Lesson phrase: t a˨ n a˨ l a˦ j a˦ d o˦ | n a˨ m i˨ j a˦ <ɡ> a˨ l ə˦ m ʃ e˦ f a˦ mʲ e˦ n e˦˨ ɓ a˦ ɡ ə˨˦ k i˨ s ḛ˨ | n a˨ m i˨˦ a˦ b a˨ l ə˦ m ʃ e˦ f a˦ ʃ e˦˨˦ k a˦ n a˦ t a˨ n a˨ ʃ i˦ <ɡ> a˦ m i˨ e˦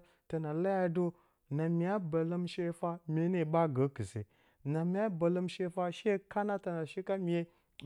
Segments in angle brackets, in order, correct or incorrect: incorrect: b, incorrect: k

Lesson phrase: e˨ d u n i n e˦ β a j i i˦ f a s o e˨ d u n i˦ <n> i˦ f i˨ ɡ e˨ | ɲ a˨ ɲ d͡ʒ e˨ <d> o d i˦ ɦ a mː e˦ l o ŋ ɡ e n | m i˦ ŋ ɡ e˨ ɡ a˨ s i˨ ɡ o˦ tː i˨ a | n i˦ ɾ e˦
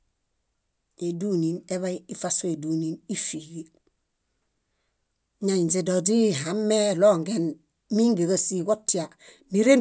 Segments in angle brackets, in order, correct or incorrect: correct, correct

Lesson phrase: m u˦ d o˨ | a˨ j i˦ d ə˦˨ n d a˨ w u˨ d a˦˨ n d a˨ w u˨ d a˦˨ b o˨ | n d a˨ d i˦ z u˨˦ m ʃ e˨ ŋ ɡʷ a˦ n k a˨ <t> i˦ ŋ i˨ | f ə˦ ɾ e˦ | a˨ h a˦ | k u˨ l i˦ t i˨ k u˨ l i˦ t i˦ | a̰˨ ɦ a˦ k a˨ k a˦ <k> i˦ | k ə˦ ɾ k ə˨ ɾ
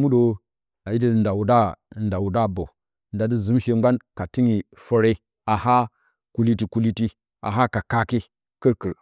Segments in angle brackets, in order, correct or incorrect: correct, correct

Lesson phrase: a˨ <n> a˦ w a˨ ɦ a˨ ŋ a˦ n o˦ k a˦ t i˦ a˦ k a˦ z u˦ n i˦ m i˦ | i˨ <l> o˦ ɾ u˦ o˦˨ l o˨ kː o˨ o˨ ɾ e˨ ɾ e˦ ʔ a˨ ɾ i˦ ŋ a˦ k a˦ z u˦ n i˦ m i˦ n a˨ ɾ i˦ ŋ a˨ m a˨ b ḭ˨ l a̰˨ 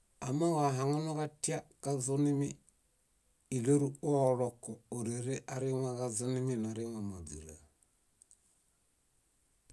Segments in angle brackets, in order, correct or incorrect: incorrect: m, correct

